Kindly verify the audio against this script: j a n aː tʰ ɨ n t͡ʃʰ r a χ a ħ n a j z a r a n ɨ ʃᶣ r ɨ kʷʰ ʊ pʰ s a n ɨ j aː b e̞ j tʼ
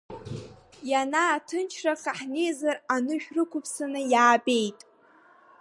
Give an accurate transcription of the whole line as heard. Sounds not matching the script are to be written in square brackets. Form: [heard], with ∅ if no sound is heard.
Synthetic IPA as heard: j a n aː tʰ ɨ n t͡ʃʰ r a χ a ħ n [e] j z a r a n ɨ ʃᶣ r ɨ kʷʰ ʊ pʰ s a n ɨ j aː b e̞ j tʼ